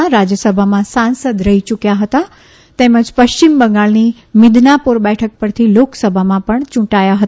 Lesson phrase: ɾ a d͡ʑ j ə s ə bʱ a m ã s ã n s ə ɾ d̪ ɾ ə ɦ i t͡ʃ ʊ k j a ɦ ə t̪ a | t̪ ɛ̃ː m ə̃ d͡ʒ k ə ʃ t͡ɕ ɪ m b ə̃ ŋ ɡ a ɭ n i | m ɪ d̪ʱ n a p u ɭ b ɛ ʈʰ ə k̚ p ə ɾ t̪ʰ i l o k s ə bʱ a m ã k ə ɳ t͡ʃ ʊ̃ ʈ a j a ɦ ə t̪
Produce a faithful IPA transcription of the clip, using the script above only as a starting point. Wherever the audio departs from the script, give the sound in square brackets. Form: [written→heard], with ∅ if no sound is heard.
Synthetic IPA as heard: ɾ a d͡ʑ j ə s ə bʱ a m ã s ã n s ə [ɾ→∅] d̪ ɾ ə ɦ i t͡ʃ ʊ k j a ɦ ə t̪ a | t̪ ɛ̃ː m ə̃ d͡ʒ [k→p] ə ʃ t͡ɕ ɪ m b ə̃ ŋ ɡ a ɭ n i | m ɪ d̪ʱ n a p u [ɭ→ɾ] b ɛ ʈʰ ə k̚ p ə ɾ t̪ʰ i l o k s ə bʱ a m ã [k→p] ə ɳ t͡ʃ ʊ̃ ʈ a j a ɦ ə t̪